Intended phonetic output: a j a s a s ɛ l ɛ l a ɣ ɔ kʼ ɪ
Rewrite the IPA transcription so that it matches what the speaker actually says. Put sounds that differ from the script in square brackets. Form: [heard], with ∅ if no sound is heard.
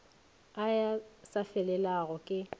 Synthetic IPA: a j a s a [f] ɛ l ɛ l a ɣ ɔ kʼ ɪ